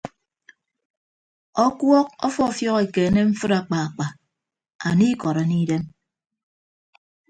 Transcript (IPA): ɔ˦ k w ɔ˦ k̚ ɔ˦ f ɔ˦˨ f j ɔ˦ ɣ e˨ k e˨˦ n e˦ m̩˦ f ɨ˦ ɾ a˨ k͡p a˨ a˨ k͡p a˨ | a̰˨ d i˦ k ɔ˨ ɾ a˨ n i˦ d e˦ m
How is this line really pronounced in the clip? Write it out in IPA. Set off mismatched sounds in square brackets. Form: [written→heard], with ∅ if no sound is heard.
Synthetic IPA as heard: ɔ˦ k w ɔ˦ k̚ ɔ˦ f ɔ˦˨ f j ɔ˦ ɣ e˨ k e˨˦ n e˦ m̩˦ f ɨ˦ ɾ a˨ k͡p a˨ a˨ k͡p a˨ | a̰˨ [d→n] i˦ k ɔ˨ ɾ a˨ n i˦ d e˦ m